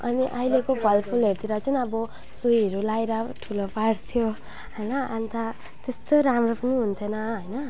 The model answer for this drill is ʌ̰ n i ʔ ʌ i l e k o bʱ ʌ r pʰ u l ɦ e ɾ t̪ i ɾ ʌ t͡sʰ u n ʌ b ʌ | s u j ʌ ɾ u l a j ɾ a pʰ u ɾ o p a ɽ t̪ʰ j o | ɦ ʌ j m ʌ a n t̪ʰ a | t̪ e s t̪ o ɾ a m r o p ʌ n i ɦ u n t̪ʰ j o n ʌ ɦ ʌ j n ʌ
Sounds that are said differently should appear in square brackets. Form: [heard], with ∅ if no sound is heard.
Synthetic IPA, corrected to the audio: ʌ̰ n i ʔ ʌ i l e k o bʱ ʌ [l] pʰ u l ɦ e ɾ t̪ i ɾ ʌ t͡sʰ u n ʌ b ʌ | s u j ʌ ɾ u l a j ɾ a [ʈʰ] u [l] o p a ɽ t̪ʰ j o | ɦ ʌ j [n] ʌ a n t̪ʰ a | t̪ e s t̪ o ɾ a m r o p ʌ n i ɦ u n t̪ʰ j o n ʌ ɦ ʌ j n ʌ